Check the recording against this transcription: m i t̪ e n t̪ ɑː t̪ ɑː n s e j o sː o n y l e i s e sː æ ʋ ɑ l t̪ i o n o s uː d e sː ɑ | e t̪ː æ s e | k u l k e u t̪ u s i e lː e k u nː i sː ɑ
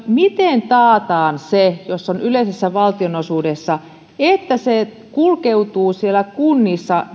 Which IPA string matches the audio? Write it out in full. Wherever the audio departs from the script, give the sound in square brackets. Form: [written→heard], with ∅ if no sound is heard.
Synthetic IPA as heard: m i t̪ e n t̪ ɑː t̪ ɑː n s e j o sː o n y l e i s e sː æ ʋ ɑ l t̪ i o n o s uː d e sː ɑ | e t̪ː æ s e | k u l k e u t̪ [u→uː] s i e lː [e→æ] k u nː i sː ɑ

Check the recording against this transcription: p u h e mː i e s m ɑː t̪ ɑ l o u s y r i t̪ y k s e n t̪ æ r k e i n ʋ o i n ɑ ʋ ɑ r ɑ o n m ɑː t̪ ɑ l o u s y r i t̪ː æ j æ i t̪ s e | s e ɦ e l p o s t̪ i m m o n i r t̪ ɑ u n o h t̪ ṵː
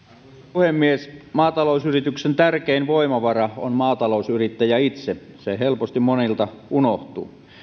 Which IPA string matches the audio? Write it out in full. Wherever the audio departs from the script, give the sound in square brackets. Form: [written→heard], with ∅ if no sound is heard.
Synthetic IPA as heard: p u h e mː i e s m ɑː t̪ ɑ l o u s y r i t̪ y k s e n t̪ æ r k e i n ʋ o i [n→m] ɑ ʋ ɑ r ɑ o n m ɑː t̪ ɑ l o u s y r i t̪ː æ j æ i t̪ s e | s e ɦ e l p o s t̪ i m m o n i [r→l] t̪ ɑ u n o h t̪ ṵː

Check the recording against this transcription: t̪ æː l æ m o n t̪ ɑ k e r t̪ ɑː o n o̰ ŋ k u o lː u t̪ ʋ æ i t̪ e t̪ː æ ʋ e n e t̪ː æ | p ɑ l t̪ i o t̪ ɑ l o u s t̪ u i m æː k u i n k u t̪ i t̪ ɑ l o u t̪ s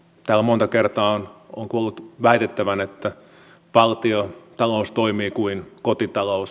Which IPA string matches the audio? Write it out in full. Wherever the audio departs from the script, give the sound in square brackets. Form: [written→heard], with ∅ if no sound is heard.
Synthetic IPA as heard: t̪ æː l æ m o n t̪ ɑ k e r t̪ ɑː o n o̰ ŋ k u o lː u t̪ ʋ æ i t̪ e t̪ː æ ʋ [e→æ] n e t̪ː æ | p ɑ l t̪ i o t̪ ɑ l o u s t̪ [u→o] i m [æː→iː] k u i n k [u→o] t̪ i t̪ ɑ l o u [t̪→∅] s

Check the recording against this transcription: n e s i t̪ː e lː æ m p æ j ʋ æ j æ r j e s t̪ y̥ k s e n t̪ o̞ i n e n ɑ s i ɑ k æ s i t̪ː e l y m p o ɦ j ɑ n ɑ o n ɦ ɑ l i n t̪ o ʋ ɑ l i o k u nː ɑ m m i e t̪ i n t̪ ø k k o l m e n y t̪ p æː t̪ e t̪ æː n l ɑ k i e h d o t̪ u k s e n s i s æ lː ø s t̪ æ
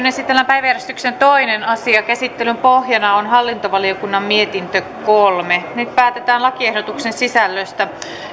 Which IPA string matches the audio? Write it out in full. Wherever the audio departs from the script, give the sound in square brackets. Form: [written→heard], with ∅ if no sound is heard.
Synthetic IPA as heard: n e s i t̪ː e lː æ m p æ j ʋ æ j æ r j e s t̪ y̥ k s e n t̪ o̞ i n e n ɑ s i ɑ k æ s i t̪ː e l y m p o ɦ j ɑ n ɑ o n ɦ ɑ [l→lː] i n t̪ o ʋ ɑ l i o k u nː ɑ m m i e t̪ i n t̪ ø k k o l m e n y t̪ p æː t̪ e t̪ æː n l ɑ k i e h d o t̪ u k s e n s i s æ lː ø s t̪ æ

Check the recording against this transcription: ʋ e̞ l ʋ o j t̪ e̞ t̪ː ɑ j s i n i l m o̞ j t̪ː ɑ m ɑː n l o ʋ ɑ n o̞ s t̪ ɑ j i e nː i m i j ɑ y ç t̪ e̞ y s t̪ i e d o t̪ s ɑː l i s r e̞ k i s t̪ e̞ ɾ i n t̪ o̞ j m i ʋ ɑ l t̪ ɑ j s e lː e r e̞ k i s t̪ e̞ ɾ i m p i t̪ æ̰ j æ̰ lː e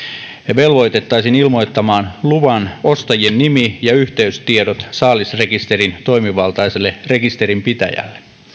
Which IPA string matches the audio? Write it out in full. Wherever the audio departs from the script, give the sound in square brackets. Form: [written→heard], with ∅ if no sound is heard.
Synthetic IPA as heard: ʋ e̞ l ʋ o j t̪ e̞ t̪ː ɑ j s i n i l m o̞ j t̪ː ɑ m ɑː n l [o→u] ʋ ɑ n o̞ s t̪ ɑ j i e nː i m i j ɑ y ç t̪ e̞ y s t̪ i e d o t̪ s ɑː l i s r e̞ k i s t̪ e̞ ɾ i n t̪ o̞ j m i ʋ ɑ l t̪ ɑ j s e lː e r e̞ k i s t̪ e̞ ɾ i m p i t̪ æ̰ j æ̰ lː e

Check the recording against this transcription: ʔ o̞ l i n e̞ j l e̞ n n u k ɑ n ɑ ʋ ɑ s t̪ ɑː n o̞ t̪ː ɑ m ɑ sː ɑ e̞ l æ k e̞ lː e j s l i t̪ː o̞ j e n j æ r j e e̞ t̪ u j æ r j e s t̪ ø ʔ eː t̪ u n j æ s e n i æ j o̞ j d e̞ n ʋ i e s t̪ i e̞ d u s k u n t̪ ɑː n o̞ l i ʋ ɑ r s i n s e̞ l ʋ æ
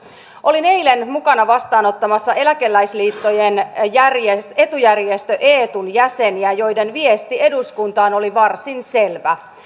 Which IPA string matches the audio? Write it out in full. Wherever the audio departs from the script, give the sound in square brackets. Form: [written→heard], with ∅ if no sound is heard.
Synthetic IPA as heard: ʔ o̞ l i n e̞ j l e̞ n [n→m] u k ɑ n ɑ ʋ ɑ s t̪ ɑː n o̞ t̪ː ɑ m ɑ sː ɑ e̞ l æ k e̞ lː [e→æ] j s l [i→iː] t̪ː o̞ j e n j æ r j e e̞ t̪ u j æ r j e s t̪ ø ʔ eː t̪ u n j æ s e n i æ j o̞ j d e̞ n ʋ i e s t̪ i e̞ d u s k u n t̪ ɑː n o̞ l i ʋ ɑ r s i n s e̞ l ʋ æ

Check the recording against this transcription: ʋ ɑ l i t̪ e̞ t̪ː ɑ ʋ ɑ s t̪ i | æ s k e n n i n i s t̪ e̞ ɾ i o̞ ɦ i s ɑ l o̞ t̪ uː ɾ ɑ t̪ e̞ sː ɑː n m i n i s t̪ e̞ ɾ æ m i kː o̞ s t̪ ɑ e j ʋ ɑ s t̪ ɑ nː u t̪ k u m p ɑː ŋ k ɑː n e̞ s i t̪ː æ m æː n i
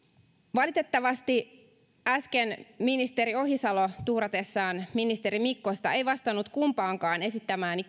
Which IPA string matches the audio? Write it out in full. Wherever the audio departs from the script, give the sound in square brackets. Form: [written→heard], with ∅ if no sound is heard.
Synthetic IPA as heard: ʋ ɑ l i t̪ e̞ t̪ː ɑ ʋ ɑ s t̪ i | æ s k e n [n→m] i n i s t̪ e̞ ɾ i o̞ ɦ i s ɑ l o̞ t̪ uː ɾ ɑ t̪ e̞ sː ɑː n m i n i s t̪ e̞ ɾ [æ→i] m i kː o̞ s t̪ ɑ e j ʋ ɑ s t̪ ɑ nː u t̪ k u m p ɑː ŋ k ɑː n e̞ s i t̪ː æ m æː n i

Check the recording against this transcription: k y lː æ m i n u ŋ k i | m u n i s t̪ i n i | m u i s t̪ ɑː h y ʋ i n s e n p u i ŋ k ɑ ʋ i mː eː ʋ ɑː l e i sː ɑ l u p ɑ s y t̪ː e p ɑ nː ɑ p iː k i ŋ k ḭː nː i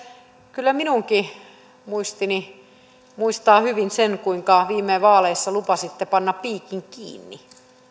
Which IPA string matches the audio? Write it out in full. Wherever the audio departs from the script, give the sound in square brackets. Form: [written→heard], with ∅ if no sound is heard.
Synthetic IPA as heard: k y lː æ m i n u ŋ k i | m u [n→∅] i s t̪ i n i | m u i s t̪ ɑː h y ʋ i n s e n [p→k] u i ŋ k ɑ ʋ [i→iː] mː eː ʋ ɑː l e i sː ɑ l u p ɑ s [y→i] t̪ː e p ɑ nː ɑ p iː k i ŋ k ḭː nː i

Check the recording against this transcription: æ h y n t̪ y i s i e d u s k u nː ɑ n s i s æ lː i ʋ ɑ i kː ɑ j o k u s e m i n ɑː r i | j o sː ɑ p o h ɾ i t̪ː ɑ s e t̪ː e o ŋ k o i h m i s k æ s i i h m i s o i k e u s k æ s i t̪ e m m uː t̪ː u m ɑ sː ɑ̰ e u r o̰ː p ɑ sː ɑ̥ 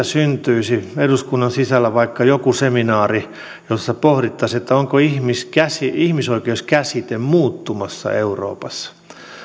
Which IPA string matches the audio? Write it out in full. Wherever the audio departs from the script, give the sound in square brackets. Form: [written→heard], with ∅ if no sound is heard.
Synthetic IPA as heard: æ [h→s] y n t̪ y i s i e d u s k u nː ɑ n s i s æ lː [i→æ] ʋ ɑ i kː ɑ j o k u s e m i n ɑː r i | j o sː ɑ p o h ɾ i t̪ː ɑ s e t̪ː [e→æ] o ŋ k o i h m i s k æ s i i h m i s o i k e u s k æ s i t̪ e m m uː t̪ː u m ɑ sː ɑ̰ e u r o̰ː p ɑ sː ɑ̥

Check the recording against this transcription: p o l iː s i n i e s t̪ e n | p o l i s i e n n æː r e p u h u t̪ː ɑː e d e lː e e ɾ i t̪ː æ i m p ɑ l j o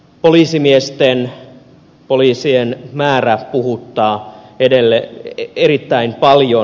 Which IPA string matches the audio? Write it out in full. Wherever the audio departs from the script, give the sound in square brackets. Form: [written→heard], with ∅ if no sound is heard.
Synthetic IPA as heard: p o l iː s i [n→m] i e s t̪ e n | p o l [i→iː] s i e n [n→m] æː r [e→æ] p u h u t̪ː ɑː e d e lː e e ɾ i t̪ː æ i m p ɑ l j o

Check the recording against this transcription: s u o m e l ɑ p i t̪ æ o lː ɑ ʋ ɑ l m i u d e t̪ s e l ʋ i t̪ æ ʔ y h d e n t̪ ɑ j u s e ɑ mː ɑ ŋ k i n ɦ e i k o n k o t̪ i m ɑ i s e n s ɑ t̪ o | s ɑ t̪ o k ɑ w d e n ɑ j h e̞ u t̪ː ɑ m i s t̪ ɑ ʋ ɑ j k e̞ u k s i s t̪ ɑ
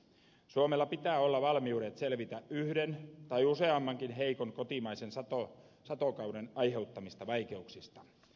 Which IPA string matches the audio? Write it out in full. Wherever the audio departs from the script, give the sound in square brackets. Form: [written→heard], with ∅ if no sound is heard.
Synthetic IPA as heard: s u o m e [l→lː] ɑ p i t̪ [æ→æː] o lː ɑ ʋ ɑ l m i u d e t̪ s e l ʋ i t̪ æ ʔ y h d e n t̪ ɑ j u s e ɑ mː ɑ ŋ k i n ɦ e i k o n k o t̪ i m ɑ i s e n s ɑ t̪ o | s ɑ t̪ o k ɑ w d e n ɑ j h e̞ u t̪ː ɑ m i s t̪ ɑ ʋ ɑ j k e̞ u k s i s t̪ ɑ

